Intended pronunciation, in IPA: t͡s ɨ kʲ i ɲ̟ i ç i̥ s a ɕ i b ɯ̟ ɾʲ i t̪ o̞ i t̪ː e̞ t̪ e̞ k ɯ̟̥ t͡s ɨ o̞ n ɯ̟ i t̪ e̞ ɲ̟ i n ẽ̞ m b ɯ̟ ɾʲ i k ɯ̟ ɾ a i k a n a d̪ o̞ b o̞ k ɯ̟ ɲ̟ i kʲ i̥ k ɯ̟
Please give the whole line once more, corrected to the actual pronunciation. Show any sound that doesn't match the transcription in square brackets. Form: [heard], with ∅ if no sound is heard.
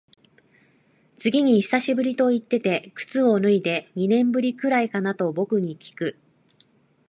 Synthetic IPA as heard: t͡s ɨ [ɡʲ] i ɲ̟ i ç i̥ s a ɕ i b ɯ̟ ɾʲ i t̪ o̞ i t̪ː e̞ t̪ e̞ k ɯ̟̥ t͡s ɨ o̞ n ɯ̟ i [d̪] e̞ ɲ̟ i n ẽ̞ m b ɯ̟ ɾʲ i k ɯ̟ ɾ a i k a n a [t̪] o̞ b o̞ k ɯ̟ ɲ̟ i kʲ i̥ k ɯ̟